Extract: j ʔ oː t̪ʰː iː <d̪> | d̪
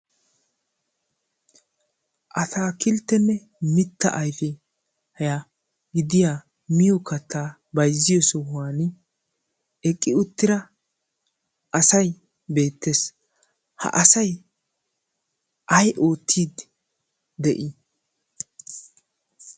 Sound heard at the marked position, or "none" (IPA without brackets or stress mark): d̪